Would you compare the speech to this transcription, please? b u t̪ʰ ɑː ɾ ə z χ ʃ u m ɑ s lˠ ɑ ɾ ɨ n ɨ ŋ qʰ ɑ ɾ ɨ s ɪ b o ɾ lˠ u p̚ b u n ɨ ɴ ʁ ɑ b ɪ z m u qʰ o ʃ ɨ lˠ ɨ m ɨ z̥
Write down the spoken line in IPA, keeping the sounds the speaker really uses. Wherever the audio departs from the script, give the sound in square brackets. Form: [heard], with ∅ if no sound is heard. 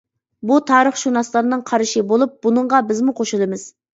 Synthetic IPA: b u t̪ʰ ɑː ɾ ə [∅] χ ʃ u [n] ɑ s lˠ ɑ ɾ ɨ n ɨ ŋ qʰ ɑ ɾ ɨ [ʃ] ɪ b o [∅] lˠ u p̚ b u n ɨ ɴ ʁ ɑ b ɪ z m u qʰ o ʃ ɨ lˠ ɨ m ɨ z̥